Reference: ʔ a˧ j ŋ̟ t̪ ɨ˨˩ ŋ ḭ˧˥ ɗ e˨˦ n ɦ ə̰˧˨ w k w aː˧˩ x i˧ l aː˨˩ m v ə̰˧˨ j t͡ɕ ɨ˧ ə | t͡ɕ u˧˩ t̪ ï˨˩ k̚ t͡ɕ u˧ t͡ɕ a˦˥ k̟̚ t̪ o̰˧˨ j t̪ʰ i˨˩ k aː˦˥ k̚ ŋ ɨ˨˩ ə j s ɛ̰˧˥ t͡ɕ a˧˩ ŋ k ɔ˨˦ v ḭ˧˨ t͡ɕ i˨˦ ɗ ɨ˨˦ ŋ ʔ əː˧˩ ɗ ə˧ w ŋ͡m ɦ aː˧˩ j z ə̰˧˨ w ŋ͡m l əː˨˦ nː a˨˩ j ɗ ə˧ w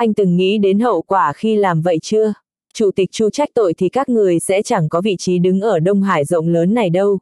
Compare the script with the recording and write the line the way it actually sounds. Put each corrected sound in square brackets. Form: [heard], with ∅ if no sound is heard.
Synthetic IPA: ʔ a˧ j ŋ̟ t̪ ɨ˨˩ [ŋː] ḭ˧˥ ɗ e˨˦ n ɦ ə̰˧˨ w k w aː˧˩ x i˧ l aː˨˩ m v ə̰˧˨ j t͡ɕ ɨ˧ ə | t͡ɕ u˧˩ t̪ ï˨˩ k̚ t͡ɕ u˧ t͡ɕ a˦˥ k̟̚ t̪ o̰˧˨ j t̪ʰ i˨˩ k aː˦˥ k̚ ŋ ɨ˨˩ ə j s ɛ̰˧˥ t͡ɕ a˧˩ ŋ k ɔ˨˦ v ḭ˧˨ t͡ɕ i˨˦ ɗ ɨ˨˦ ŋ ʔ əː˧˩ ɗ ə˧ w ŋ͡m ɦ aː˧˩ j z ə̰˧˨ w ŋ͡m l əː˨˦ nː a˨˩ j ɗ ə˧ w